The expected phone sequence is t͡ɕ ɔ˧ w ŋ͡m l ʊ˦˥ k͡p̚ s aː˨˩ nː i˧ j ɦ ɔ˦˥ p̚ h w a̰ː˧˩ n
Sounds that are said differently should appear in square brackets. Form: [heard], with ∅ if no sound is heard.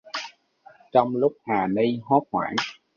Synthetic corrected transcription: t͡ɕ ɔ˧ w ŋ͡m l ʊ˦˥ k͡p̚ [h] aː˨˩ [n] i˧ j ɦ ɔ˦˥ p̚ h w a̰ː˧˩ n